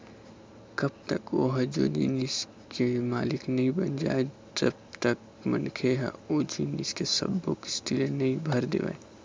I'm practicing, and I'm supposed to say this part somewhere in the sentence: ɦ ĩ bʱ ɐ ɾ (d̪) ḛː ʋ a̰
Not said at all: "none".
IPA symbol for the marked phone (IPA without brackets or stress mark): d̪